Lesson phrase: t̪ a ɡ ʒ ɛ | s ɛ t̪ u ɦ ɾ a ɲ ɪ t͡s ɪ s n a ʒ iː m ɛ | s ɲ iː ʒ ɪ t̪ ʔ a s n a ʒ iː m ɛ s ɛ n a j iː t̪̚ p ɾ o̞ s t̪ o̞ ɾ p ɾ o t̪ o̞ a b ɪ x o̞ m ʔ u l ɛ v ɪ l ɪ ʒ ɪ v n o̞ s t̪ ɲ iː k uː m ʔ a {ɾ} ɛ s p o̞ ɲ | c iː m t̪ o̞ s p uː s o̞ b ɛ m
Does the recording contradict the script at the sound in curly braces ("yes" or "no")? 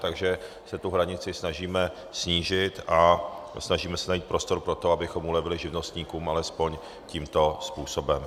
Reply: yes